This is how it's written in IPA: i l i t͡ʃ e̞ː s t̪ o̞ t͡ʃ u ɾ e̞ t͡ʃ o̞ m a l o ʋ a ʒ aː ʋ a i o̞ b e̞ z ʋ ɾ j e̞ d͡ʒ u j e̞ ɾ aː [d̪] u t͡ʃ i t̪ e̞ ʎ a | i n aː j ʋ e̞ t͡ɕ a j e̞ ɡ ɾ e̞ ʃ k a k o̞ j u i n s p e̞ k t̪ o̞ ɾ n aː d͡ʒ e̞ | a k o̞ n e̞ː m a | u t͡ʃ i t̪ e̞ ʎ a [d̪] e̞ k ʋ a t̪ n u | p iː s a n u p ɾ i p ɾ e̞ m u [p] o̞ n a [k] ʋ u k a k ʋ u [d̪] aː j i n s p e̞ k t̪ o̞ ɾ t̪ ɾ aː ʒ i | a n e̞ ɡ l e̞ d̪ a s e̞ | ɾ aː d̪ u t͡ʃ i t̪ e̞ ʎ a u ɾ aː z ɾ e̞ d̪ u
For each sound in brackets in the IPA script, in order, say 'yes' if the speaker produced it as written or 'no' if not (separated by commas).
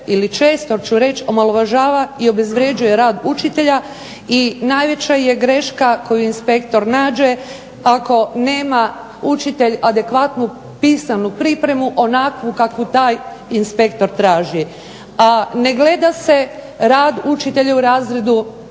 yes, yes, no, yes, no